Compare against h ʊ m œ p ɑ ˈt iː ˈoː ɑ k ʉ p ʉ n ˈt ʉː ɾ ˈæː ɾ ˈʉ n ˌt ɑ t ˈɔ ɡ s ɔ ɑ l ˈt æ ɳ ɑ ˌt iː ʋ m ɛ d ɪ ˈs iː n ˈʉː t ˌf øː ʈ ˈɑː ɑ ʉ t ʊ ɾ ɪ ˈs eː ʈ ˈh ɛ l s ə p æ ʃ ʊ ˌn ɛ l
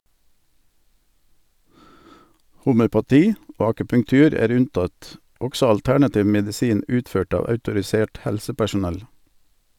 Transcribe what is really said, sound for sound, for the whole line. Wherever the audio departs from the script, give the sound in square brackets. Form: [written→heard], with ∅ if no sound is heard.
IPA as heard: h ʊ m œ p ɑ ˈt iː ˈoː ɑ k ʉ p ʉ [n→ŋ] ˈt ʉː ɾ ˈæː ɾ ˈʉ n ˌt ɑ t ˈɔ ɡ s ɔ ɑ l ˈt æ ɳ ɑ ˌt iː ʋ m ɛ d ɪ ˈs iː n ˈʉː t ˌf øː ʈ ˈɑː ɑ ʉ t ʊ ɾ ɪ ˈs eː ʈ ˈh ɛ l s ə p æ ʃ ʊ ˌn ɛ l